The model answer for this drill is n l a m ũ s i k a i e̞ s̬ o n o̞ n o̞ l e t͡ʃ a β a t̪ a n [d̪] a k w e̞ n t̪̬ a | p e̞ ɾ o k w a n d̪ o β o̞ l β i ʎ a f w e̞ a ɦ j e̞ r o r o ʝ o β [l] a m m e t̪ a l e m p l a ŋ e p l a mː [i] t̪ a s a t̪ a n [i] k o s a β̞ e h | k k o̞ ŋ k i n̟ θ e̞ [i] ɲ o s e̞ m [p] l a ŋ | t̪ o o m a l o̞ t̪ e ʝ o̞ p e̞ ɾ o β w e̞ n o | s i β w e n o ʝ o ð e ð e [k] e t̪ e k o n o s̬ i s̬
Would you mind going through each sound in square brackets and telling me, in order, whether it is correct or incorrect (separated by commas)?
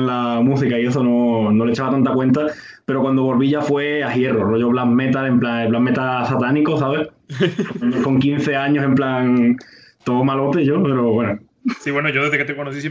incorrect, correct, incorrect, correct, incorrect, correct, correct